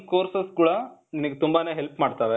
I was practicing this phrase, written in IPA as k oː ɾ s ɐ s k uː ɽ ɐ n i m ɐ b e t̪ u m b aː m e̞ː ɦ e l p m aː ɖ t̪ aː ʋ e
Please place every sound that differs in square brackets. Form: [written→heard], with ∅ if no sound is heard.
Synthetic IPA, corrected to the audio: k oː ɾ s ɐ s k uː ɽ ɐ n i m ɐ [b→ɡ] e t̪ u m b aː [m→n] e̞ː ɦ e l p m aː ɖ t̪ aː ʋ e